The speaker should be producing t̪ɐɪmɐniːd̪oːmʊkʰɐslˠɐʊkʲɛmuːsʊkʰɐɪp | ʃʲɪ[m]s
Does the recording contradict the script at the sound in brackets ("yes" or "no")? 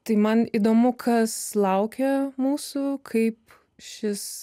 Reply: yes